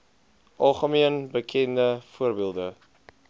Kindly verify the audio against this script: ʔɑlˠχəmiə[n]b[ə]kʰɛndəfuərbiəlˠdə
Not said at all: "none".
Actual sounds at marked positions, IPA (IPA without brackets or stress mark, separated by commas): n, ə